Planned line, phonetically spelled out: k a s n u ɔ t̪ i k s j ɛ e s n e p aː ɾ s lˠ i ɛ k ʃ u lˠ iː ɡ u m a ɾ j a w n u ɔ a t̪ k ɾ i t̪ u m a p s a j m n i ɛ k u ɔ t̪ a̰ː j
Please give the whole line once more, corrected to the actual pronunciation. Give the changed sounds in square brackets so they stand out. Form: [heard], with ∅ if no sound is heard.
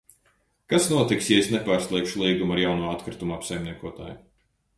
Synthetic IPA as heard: k a s n u ɔ t̪ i k s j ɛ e s n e p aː ɾ s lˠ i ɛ k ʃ u lˠ iː ɡ u m a ɾ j a w n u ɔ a t̪ k ɾ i t̪ u m a p s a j m n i ɛ k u ɔ t̪ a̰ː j